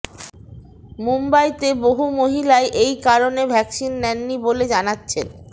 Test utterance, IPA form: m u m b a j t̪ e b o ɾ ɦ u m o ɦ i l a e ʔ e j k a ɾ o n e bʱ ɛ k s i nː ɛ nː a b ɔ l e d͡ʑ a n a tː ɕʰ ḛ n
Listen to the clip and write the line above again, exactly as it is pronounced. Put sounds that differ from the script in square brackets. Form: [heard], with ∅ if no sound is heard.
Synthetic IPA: m u m b a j t̪ e b o [∅] ɦ u m o ɦ i l a e ʔ e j k a ɾ o n e bʱ ɛ k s i nː ɛ nː [i] b [o] l e d͡ʑ a n a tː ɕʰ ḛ n

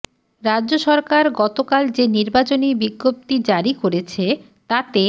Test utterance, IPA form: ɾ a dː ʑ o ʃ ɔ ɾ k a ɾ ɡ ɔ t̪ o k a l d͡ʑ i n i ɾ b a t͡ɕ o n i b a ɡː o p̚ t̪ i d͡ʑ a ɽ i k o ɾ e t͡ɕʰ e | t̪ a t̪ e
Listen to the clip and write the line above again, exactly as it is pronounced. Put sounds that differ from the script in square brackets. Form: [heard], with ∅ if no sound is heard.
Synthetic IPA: ɾ a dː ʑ o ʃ ɔ ɾ k a ɾ ɡ ɔ t̪ o k a l d͡ʑ [e] n i ɾ b a t͡ɕ o n i b [i] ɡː o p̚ t̪ i d͡ʑ a [ɾ] i k o ɾ e t͡ɕʰ e | t̪ a t̪ e

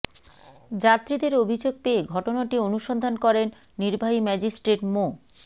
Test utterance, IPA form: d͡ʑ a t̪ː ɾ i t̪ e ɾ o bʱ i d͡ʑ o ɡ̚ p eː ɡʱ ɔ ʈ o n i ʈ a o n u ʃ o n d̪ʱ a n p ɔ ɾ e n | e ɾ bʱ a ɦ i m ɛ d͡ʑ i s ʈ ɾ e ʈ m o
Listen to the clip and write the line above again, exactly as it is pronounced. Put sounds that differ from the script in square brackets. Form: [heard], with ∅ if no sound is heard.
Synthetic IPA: d͡ʑ a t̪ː ɾ i [d̪] e ɾ o bʱ i d͡ʑ o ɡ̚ p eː ɡʱ ɔ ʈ o n [a] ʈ [i] o n u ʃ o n d̪ʱ a n [k] ɔ ɾ e [nː] | [i] ɾ bʱ a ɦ i m ɛ d͡ʑ i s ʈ ɾ e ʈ m o

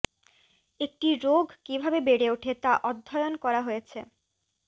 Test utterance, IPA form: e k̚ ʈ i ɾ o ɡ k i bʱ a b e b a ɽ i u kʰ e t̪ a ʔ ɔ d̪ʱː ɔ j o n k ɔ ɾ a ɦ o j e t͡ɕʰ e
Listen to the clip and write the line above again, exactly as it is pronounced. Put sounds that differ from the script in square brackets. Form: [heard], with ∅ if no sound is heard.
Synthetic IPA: e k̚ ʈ i ɾ o ɡ k i bʱ a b e b [e] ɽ [e] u [ʈʰ] e t̪ a ʔ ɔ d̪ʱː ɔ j o n k ɔ ɾ a ɦ o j e t͡ɕʰ e

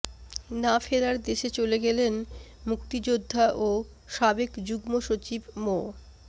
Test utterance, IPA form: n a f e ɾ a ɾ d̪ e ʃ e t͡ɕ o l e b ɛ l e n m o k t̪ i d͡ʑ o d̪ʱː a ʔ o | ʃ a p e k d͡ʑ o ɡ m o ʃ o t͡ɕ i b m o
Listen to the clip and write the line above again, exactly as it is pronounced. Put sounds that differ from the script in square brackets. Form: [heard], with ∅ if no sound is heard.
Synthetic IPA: n a f e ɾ a ɾ d̪ e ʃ e t͡ɕ o l e [ɡ] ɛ l e n m [u] k t̪ i d͡ʑ o d̪ʱː a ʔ o | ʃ a [b] e k d͡ʑ [u] ɡ m o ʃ o t͡ɕ i b m o

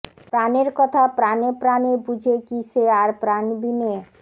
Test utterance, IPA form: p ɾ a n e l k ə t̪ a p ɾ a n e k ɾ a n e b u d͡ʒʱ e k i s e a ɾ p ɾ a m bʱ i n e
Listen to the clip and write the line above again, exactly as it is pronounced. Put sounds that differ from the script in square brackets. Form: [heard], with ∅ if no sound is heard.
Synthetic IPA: p ɾ a n e [ɾ] k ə [t̪ʰ] a p ɾ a n e [p] ɾ a n e b u d͡ʒʱ e k i s e a ɾ p ɾ a [n] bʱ i n e

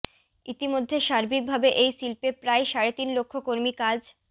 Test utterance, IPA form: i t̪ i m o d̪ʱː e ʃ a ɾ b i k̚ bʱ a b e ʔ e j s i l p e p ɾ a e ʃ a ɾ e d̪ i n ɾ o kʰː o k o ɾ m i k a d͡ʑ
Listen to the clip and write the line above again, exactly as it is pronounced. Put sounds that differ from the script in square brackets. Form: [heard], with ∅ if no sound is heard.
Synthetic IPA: i t̪ i m o d̪ʱː e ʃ a ɾ b i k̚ bʱ a b e ʔ e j s i l p e p ɾ a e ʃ a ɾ e [t̪] i n [l] o kʰː o k o ɾ m i k a d͡ʑ

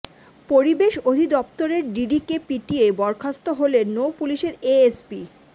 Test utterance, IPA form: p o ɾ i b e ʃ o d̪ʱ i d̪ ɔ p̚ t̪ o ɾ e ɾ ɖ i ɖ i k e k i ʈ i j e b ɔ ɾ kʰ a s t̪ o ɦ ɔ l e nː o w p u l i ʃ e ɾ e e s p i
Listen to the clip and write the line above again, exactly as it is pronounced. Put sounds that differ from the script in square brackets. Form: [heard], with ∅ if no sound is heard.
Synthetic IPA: p o ɾ i b e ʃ o d̪ʱ i d̪ ɔ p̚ t̪ o ɾ e ɾ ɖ i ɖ i k e [p] i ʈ i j e b ɔ ɾ kʰ a s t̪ o ɦ [o] l e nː o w p u l i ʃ e ɾ e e s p i

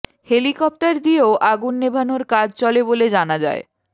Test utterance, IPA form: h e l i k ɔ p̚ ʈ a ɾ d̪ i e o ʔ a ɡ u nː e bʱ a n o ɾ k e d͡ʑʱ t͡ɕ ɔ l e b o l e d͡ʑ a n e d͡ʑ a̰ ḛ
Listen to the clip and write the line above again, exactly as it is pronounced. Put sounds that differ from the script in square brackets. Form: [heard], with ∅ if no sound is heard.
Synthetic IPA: h e l i k ɔ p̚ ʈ a ɾ d̪ i e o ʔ a ɡ u nː e bʱ a n o ɾ k [a] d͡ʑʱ t͡ɕ ɔ l e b o l e d͡ʑ a n [a] d͡ʑ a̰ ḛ

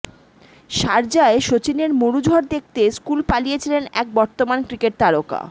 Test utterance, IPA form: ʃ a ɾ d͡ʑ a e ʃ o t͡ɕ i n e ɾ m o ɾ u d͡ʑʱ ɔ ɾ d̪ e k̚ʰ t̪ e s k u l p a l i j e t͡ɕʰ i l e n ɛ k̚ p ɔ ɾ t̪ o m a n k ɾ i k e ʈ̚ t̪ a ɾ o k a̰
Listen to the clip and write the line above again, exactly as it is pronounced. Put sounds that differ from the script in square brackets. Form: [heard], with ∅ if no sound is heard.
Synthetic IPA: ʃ a ɾ d͡ʑ a e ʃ o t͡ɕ i n e ɾ m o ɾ u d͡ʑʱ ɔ ɾ d̪ e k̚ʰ t̪ e s k u l p a l i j e t͡ɕʰ i l e n ɛ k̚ [b] ɔ ɾ t̪ o m a n k ɾ i k e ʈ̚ t̪ a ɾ o k a̰

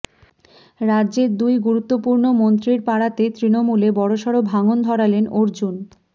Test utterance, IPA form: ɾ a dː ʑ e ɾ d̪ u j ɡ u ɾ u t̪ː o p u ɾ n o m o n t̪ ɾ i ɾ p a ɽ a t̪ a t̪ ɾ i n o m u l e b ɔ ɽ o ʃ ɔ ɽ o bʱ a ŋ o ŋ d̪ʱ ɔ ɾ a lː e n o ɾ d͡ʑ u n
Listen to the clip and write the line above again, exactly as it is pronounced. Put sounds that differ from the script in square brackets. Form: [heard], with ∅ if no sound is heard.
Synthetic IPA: ɾ a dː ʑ e ɾ d̪ u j ɡ u ɾ u t̪ː o p u ɾ n o m o n t̪ ɾ i ɾ p a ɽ a t̪ [e] t̪ ɾ i n o m u l e b ɔ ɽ o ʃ ɔ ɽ o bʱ a ŋ o [n] d̪ʱ ɔ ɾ a [l] e n o ɾ d͡ʑ u n

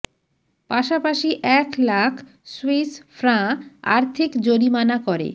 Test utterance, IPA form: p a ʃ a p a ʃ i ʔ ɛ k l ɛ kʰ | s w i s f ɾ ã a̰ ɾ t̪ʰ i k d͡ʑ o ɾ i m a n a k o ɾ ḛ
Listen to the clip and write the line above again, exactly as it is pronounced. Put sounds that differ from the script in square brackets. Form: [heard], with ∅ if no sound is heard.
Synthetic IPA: p a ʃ a p a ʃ i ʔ ɛ k l [a] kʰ | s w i s f ɾ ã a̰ ɾ t̪ʰ i k d͡ʑ o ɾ i m a n a k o ɾ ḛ

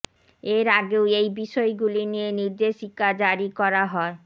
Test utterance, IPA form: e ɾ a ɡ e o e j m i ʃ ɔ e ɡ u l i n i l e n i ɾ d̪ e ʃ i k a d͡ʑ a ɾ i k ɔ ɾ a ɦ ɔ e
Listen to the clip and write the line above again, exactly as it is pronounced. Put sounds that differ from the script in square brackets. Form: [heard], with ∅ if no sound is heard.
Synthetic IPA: e ɾ a ɡ e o e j [b] i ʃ ɔ e ɡ u l i n i [∅] e n i ɾ d̪ e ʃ i k a d͡ʑ a ɾ i k ɔ ɾ a ɦ ɔ e

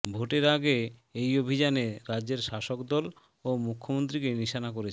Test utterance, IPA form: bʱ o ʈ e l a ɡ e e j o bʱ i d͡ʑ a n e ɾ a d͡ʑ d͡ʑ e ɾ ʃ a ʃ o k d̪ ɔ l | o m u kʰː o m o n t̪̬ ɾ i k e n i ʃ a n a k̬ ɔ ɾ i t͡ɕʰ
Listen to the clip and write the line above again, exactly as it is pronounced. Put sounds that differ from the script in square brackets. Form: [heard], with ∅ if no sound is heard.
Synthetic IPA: bʱ o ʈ e [ɾ] a ɡ e e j o bʱ i d͡ʑ a n e ɾ a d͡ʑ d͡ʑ e ɾ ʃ a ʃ o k d̪ ɔ l | o m u kʰː o m o n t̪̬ ɾ i k e n i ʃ a n a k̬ [o] ɾ [e] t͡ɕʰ

